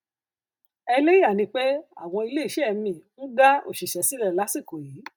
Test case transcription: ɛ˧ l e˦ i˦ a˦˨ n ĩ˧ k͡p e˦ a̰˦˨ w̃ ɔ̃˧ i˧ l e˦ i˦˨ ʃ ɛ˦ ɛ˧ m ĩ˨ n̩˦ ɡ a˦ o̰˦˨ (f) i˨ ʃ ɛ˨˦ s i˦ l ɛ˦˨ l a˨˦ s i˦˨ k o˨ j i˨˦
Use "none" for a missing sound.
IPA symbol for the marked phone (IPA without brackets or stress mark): ʃ